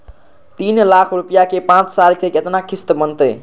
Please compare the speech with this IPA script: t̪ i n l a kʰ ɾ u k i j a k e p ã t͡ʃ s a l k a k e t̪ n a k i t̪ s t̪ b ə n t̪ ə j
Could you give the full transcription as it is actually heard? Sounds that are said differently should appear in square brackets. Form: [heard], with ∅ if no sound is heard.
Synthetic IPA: t̪ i n l a kʰ ɾ u [p] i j a k e p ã t͡ʃ s a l k [e] k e t̪ n a k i [∅] s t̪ b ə n t̪ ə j